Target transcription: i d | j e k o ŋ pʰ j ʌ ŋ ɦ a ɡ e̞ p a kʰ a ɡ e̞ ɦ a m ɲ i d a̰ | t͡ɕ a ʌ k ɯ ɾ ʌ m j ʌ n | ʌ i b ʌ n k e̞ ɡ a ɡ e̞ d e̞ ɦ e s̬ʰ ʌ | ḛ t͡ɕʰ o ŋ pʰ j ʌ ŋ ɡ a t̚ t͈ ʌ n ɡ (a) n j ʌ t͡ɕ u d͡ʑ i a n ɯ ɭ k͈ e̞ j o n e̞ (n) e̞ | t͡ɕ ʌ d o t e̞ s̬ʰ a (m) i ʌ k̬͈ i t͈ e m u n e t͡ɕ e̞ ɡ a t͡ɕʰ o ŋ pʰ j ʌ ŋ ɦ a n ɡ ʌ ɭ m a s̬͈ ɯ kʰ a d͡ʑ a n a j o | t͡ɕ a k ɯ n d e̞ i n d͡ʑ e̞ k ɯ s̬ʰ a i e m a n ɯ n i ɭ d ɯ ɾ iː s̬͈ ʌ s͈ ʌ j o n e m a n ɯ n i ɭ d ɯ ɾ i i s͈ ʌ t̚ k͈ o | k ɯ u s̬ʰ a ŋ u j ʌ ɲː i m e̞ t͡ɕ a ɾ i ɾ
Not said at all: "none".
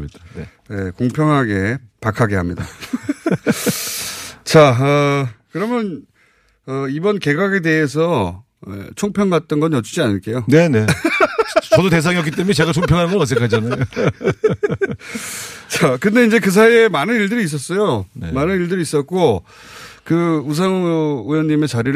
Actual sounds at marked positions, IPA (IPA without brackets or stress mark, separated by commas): ʌ, n, ŋ